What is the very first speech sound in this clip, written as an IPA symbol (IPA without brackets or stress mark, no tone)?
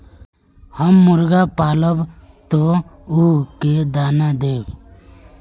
h